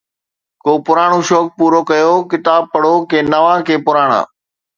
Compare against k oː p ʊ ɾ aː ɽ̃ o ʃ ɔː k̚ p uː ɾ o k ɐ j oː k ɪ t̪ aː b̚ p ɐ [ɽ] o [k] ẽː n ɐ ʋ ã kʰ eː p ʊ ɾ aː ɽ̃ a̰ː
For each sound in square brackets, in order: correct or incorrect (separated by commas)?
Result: correct, correct